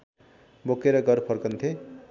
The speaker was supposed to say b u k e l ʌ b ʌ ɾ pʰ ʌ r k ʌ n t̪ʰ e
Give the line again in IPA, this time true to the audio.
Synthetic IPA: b o k e ɾ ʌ ɡ ʌ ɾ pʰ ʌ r k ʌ n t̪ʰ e